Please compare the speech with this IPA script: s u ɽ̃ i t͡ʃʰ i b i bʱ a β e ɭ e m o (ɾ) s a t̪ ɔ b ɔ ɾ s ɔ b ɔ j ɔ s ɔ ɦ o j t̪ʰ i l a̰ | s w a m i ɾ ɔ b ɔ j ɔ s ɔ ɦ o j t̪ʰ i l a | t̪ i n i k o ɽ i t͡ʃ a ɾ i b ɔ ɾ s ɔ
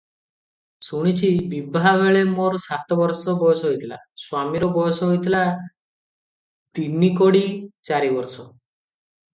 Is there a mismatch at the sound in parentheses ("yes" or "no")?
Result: no